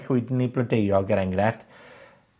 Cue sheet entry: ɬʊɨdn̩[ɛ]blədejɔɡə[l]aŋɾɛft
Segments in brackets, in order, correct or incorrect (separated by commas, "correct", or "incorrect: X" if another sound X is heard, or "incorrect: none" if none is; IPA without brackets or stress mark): incorrect: i, incorrect: ɾ